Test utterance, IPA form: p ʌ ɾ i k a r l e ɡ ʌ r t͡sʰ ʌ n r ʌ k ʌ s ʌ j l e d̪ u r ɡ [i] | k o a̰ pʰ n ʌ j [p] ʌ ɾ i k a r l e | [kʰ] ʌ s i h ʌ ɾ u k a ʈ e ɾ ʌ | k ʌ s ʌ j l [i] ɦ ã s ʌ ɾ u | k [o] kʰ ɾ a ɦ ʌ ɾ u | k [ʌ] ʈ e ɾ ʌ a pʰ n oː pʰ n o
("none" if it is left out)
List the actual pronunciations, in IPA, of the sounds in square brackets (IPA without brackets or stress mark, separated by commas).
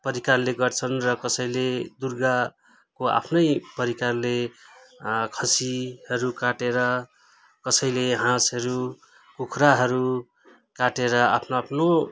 a, p, kʰ, e, u, a